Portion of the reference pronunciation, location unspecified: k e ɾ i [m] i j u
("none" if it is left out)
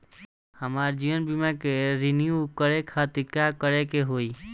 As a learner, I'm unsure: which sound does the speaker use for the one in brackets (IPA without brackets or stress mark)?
n